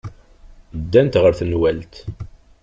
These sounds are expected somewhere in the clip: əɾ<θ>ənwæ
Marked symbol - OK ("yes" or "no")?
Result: yes